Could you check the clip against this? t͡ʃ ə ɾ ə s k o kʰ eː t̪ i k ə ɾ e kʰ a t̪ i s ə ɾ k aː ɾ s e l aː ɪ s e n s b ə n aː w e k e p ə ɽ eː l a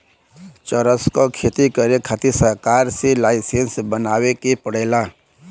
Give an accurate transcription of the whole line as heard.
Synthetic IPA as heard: t͡ʃ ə ɾ ə s k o kʰ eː t̪ i k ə ɾ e kʰ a t̪ i s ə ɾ k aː ɾ s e l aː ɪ s e n s b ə n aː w e k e p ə ɽ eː l a